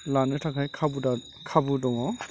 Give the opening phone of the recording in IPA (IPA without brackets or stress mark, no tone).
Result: l